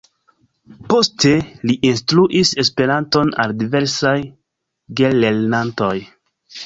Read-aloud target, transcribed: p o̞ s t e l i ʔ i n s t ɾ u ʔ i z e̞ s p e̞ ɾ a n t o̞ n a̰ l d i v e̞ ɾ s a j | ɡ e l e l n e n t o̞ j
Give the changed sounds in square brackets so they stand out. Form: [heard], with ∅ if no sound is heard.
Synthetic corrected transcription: p o̞ s t e l i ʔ i n s t ɾ u ʔ i [s] e̞ s p e̞ ɾ a n t o̞ n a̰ l d i v e̞ ɾ s a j | ɡ e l e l n [a] n t o̞ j

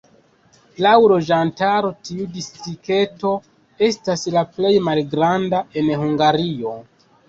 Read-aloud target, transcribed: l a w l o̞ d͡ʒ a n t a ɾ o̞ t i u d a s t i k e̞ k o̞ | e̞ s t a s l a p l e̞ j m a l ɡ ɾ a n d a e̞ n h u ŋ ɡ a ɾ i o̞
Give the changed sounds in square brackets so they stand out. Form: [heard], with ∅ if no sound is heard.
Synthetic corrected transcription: l a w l o̞ d͡ʒ a n t a ɾ o̞ t i u d [i] s t i k e̞ [t] o̞ | e̞ s t a s l a p l e̞ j m a l ɡ ɾ a n d a e̞ n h u ŋ ɡ a ɾ i o̞

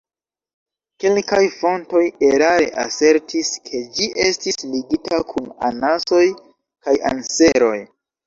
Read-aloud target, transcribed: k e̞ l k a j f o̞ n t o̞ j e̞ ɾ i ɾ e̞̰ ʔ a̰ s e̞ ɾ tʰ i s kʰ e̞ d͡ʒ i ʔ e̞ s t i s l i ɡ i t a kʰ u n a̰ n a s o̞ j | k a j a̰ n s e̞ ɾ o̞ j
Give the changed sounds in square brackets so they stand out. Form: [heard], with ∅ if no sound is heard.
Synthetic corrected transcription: k e̞ l k a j f o̞ n t o̞ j e̞ ɾ [a] ɾ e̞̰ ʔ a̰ s e̞ ɾ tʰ i s kʰ e̞ d͡ʒ i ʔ e̞ s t i s l i ɡ i t a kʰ u n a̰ n a s o̞ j | k a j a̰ n s e̞ ɾ o̞ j

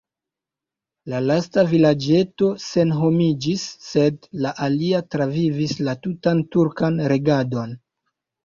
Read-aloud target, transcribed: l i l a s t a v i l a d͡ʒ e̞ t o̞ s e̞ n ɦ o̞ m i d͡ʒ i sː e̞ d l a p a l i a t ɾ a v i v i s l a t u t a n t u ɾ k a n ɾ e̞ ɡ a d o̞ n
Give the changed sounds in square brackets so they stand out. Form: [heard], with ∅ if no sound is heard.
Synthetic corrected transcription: l [a] l a s t a v i l a d͡ʒ e̞ t o̞ s e̞ n ɦ o̞ m i d͡ʒ i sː e̞ d l a [ʔ] a l i a t ɾ a v i v i s l a t u t a n t u ɾ k a n ɾ e̞ ɡ a d o̞ n

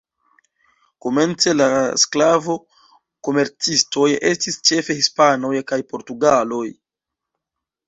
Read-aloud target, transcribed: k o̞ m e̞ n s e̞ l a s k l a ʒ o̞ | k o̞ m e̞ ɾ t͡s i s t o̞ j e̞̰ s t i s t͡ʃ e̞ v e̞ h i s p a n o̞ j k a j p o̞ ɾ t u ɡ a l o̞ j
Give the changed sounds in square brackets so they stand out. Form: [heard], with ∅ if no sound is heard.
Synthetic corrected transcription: k o̞ m e̞ n [t͡s] e̞ l a s k l a [v] o̞ | k o̞ m e̞ ɾ t͡s i s t o̞ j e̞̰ s t i s t͡ʃ e̞ [f] e̞ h i s p a n o̞ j k a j p o̞ ɾ t u ɡ a l o̞ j

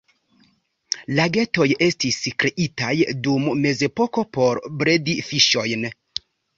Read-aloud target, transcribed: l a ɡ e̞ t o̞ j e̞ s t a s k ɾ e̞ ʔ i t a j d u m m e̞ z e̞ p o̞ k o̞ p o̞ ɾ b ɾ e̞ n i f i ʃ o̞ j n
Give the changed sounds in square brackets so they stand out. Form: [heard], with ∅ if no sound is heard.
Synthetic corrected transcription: l a ɡ e̞ t o̞ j e̞ s t [i] s k ɾ e̞ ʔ i t a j d u m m e̞ z e̞ p o̞ k o̞ p o̞ ɾ b ɾ e̞ [d] i f i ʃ o̞ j n

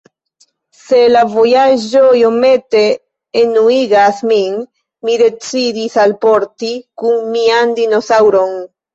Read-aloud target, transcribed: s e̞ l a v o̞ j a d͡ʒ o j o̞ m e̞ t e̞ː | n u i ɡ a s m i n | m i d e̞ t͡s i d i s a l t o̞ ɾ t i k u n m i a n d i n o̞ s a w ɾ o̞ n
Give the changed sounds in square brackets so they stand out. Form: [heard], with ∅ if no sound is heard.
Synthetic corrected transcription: s e̞ l a v o̞ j a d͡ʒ o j o̞ m e̞ t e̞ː | n u i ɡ a s m i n | m i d e̞ t͡s i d i s a l [p] o̞ ɾ t i k u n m i a n d i n o̞ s a w ɾ o̞ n

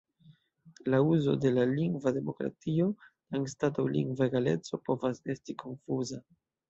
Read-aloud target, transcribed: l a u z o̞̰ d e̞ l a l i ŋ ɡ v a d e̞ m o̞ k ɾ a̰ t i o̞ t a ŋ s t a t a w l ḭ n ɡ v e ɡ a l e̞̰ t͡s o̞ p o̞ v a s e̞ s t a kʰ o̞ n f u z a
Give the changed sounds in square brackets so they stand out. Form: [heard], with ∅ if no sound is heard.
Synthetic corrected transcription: l a u z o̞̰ d e̞ l a l i ŋ ɡ v a d e̞ m o̞ k ɾ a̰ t i o̞ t a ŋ s t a t a w l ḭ [ŋ] ɡ v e ɡ a l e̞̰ t͡s o̞ p o̞ v a s e̞ s t [i] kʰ o̞ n f u z a

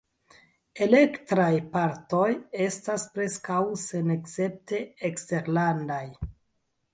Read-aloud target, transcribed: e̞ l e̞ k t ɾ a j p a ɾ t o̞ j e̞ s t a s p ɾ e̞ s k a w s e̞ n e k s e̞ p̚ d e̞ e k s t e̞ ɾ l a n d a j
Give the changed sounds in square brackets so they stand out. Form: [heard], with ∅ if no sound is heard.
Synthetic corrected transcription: e̞ l e̞ k t ɾ a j p a ɾ t o̞ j e̞ s t a s p ɾ e̞ s k a w s e̞ n e k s e̞ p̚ [t] e̞ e k s t e̞ ɾ l a n d a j

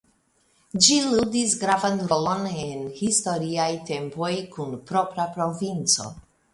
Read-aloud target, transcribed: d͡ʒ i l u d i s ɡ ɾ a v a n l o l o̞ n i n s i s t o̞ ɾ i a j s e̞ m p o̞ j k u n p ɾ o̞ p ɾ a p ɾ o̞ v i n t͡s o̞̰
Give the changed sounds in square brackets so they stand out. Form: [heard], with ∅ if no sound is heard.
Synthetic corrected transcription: d͡ʒ i l u d i s ɡ ɾ a v a n [ɾ] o l o̞ n [e] n [h] i s t o̞ ɾ i a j [t] e̞ m p o̞ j k u n p ɾ o̞ p ɾ a p ɾ o̞ v i n t͡s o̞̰

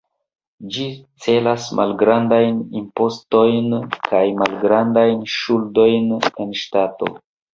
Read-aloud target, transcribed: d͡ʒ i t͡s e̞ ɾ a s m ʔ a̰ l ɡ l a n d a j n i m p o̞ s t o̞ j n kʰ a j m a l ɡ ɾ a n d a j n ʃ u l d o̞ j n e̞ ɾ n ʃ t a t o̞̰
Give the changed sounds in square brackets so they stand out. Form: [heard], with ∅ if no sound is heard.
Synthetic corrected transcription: d͡ʒ i t͡s e̞ [l] a s m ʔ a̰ l ɡ [ɾ] a n d a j n i m p o̞ s t o̞ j n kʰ a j m a l ɡ ɾ a n d a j n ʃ u l d o̞ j n e̞ [∅] n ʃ t a t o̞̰

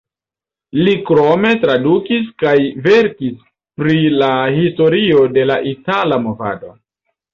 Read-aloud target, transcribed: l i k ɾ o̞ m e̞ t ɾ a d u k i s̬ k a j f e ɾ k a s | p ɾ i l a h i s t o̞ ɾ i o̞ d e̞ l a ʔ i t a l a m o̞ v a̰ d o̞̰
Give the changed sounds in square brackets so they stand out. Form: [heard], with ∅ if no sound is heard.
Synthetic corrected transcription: l i k ɾ o̞ m e̞ t ɾ a d u k i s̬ k a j [v] e ɾ k [i] s | p ɾ i l a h i s t o̞ ɾ i o̞ d e̞ l a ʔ i t a l a m o̞ v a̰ d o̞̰

